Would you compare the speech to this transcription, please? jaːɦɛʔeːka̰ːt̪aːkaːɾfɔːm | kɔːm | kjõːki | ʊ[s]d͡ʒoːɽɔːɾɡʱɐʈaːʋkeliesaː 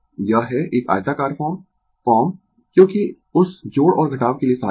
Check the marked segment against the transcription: correct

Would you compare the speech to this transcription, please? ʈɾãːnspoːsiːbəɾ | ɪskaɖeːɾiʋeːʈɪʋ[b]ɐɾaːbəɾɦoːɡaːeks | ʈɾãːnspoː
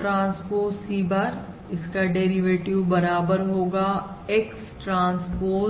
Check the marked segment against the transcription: correct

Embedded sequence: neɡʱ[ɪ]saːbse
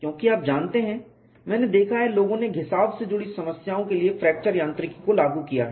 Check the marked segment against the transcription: correct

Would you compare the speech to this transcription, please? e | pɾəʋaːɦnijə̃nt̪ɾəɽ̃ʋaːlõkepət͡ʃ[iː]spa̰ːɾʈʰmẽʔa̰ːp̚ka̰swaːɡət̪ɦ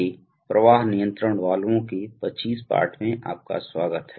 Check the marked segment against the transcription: correct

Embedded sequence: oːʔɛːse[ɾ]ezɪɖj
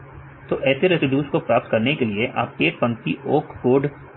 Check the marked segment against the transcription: correct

